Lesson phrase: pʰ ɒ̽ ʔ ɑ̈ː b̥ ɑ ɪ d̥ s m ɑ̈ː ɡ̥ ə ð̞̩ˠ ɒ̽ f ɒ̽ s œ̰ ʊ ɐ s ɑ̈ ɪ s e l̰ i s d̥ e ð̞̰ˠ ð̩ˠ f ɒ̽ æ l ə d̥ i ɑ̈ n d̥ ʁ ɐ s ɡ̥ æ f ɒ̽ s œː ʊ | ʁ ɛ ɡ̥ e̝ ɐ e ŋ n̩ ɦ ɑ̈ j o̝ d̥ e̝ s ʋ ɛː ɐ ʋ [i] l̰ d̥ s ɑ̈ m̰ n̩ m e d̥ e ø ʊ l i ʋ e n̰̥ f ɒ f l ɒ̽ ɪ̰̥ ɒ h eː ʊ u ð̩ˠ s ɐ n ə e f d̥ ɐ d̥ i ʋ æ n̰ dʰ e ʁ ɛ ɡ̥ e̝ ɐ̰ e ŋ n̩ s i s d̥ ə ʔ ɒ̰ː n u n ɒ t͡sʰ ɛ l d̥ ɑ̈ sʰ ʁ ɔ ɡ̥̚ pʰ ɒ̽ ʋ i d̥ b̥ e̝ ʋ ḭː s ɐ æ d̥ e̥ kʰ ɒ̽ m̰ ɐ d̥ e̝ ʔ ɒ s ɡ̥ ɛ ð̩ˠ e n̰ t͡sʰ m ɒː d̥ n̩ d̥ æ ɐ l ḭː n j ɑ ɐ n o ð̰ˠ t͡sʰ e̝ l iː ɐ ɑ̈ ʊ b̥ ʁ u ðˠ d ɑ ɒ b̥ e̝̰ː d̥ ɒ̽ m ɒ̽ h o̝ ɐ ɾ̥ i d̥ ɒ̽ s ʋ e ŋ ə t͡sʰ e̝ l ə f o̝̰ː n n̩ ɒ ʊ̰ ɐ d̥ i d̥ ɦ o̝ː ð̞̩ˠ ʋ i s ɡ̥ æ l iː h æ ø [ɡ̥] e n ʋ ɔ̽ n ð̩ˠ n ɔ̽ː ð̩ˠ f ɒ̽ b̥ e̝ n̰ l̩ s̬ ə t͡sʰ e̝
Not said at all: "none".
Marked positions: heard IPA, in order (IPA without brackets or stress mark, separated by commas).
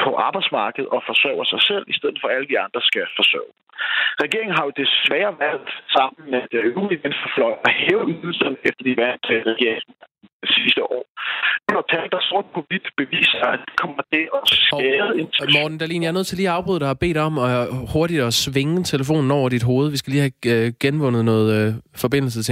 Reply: æ, ɡ̥